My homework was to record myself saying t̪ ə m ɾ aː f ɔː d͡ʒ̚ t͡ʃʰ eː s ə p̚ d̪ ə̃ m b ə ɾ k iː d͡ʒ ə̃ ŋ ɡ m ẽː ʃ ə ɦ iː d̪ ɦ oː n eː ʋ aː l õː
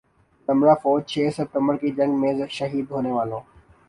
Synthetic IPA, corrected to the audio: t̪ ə m ɾ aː f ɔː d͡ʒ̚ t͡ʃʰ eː s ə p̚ t̪ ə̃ m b ə ɾ k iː d͡ʒ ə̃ ŋ ɡ m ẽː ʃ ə ɦ iː d̪ ɦ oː n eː ʋ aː l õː